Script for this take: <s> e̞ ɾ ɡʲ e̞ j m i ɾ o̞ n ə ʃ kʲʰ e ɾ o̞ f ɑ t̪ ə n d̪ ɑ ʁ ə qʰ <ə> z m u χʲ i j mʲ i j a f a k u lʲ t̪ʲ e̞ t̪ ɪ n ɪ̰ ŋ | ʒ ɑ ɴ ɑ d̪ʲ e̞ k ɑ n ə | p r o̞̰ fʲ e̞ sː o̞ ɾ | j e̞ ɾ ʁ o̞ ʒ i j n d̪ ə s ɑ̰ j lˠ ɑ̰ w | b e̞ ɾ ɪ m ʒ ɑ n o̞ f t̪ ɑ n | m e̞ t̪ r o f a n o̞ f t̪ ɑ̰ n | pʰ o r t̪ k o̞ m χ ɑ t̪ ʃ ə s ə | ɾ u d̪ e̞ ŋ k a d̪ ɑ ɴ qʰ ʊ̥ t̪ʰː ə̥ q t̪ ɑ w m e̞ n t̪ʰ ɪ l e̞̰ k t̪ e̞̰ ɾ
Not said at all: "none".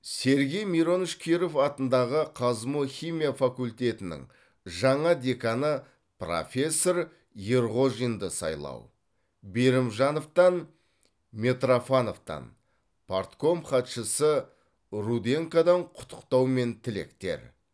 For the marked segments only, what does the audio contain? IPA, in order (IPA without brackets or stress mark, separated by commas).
s, ɑ